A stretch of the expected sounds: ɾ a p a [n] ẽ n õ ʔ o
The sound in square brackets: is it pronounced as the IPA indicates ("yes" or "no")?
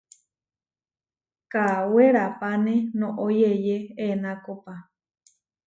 yes